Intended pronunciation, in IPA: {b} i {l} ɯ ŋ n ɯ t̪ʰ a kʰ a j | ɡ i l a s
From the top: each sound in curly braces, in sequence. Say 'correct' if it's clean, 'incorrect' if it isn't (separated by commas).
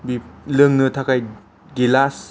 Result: correct, correct